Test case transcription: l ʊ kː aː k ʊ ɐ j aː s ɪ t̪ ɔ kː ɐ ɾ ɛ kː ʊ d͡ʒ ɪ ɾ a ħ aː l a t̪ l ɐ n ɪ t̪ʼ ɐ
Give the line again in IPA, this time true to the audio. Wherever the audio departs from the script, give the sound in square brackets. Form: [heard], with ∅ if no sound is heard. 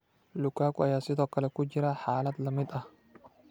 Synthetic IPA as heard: l ʊ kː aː k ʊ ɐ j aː s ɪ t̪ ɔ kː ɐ [l] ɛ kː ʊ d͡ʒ ɪ ɾ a ħ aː l [ɐ] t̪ l ɐ [m] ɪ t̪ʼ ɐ